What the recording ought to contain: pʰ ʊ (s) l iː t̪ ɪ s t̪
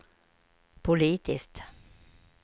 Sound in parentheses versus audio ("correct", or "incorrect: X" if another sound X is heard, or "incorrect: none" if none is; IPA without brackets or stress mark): incorrect: none